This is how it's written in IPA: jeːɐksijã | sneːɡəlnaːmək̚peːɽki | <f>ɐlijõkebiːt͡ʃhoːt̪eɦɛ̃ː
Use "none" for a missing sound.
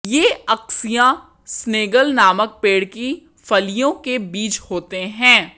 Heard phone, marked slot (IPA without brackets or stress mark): f